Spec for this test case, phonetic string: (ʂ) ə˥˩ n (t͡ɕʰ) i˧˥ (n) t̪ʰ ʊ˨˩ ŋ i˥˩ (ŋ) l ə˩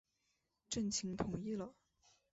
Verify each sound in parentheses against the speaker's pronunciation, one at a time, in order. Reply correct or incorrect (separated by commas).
incorrect, correct, incorrect, incorrect